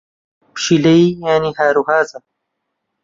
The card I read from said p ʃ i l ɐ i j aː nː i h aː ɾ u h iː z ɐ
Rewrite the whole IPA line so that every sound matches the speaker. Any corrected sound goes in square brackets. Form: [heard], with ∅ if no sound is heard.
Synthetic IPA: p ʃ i l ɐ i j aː [n] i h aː ɾ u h [aː] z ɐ